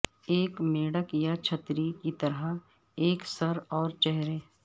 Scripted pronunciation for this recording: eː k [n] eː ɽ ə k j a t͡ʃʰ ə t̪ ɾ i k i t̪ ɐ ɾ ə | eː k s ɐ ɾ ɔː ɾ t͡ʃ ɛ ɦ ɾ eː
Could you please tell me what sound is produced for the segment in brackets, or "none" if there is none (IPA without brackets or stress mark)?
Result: m